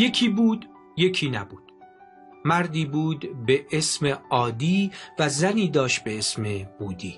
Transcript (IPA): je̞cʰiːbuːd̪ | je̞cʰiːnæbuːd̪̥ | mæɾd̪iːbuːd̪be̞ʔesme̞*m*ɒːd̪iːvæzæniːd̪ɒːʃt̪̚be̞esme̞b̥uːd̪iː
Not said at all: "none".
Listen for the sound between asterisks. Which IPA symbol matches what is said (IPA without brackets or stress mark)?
none